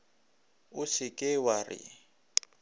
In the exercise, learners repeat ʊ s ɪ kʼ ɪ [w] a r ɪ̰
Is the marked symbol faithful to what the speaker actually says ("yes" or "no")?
yes